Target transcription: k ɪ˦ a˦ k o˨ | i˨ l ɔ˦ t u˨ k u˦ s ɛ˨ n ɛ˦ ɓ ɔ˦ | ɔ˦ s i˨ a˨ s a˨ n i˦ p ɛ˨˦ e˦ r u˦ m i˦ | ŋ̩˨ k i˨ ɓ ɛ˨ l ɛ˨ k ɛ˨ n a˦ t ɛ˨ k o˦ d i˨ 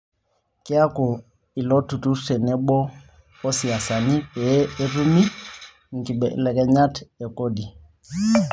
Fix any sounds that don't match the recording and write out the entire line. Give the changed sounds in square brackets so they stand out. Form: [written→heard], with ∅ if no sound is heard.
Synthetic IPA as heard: k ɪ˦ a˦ k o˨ | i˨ l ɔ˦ t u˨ [k→t] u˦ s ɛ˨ n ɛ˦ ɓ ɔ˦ | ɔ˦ s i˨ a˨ s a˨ n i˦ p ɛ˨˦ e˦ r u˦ m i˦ | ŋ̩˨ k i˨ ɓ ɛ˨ l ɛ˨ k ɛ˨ [n→ɲ] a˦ t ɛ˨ k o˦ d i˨